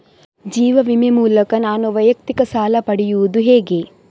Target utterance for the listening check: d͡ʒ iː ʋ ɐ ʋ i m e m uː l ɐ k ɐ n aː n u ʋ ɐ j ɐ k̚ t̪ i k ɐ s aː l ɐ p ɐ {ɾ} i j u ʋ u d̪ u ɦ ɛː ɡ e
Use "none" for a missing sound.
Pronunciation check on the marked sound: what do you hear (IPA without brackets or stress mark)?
ɽ